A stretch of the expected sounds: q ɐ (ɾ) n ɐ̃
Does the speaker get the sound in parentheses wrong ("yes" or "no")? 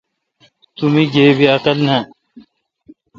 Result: yes